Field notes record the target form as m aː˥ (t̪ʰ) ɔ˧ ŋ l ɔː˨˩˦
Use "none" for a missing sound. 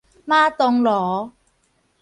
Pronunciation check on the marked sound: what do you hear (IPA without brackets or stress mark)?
t̪